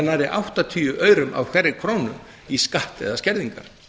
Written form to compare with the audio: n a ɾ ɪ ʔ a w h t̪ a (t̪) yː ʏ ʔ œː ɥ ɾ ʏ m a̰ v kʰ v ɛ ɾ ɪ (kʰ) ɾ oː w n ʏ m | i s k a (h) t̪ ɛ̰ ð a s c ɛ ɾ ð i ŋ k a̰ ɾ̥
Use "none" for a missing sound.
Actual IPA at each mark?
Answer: t̪ʰ, kʰ, h

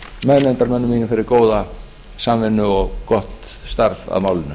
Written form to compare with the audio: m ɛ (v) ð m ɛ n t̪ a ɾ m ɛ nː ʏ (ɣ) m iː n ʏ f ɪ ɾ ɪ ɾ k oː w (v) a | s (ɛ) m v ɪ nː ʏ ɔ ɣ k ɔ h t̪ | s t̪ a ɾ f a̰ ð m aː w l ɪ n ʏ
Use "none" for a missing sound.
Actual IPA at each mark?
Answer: none, none, ð, a

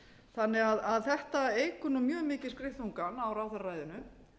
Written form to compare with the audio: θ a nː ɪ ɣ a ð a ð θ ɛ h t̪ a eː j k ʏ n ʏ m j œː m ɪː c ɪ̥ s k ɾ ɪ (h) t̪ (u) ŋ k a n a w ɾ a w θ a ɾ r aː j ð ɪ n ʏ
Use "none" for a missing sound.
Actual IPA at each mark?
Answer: h, u

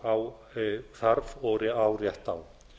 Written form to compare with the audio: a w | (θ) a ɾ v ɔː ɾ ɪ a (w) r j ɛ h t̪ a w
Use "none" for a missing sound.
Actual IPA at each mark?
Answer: θ, w

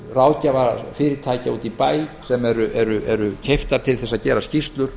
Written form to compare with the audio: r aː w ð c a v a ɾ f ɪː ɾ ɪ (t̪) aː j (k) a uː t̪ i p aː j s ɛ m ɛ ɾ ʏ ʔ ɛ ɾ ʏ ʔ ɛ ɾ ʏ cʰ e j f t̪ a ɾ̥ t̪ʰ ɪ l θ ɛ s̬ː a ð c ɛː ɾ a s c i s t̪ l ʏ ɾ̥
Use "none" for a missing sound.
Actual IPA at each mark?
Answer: t̪ʰ, c

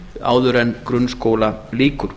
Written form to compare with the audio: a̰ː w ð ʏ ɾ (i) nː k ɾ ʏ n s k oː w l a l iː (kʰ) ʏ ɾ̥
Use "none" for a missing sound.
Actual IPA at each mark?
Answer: ɛ, k

